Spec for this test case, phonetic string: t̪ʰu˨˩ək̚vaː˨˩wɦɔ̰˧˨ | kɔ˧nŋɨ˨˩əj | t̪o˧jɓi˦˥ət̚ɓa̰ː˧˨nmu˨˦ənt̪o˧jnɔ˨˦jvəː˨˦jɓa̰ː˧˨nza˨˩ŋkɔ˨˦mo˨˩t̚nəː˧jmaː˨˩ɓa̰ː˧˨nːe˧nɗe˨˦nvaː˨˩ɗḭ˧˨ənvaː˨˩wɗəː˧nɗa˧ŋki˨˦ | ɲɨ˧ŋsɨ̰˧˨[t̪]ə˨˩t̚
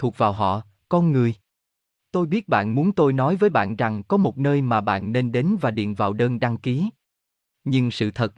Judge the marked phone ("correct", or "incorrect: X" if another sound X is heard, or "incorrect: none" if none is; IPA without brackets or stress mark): incorrect: t̪ʰ